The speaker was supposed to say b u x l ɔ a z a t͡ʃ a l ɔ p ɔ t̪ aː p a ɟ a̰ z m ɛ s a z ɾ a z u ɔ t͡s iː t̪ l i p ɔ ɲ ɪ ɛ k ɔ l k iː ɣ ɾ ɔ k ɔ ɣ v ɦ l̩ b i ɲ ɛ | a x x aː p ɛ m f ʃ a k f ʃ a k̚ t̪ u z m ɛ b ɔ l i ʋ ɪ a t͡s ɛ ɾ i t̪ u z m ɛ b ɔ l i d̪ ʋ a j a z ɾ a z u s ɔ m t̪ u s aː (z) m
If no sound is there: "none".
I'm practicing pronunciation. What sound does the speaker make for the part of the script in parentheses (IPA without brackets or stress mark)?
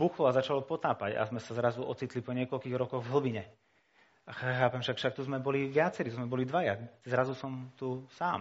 none